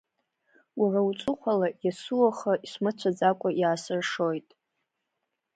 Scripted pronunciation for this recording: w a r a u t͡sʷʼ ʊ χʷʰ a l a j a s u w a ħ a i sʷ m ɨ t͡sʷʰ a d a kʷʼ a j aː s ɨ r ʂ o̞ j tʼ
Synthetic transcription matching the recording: w a r a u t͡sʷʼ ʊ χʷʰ a l a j a s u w a χ a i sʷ m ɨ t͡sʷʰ a d͡z a kʷʼ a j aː s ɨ r ʂ o̞ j tʼ